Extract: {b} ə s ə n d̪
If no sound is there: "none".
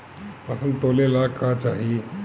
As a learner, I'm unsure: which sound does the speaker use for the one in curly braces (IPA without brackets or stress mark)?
p